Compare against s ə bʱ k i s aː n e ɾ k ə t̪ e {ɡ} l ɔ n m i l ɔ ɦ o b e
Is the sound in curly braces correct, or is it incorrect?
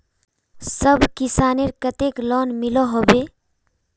incorrect